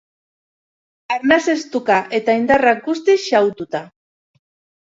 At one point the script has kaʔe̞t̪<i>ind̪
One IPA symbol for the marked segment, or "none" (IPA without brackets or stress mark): a